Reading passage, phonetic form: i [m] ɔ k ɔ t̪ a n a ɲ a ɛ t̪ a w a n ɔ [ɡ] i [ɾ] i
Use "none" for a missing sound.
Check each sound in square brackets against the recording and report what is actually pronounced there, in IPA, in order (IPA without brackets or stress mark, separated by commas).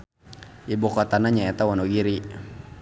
b, ɡ, ɾ